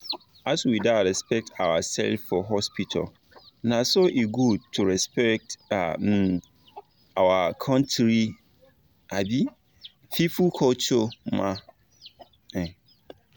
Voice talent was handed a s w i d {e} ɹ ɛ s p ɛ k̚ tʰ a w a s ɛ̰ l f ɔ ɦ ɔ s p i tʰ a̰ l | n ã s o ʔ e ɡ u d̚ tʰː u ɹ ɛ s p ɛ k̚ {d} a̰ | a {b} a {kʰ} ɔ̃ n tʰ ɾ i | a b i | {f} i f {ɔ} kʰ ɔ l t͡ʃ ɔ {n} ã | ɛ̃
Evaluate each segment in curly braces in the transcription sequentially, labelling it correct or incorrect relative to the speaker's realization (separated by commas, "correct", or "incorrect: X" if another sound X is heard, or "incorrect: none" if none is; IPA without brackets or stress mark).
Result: incorrect: a, incorrect: t, incorrect: w, correct, correct, incorrect: u, incorrect: m